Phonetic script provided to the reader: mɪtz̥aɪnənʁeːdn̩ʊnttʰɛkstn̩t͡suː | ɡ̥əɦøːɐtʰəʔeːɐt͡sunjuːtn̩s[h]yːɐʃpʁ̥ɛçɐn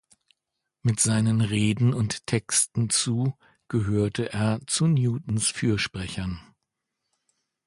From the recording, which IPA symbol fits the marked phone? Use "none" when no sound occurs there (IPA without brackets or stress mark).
f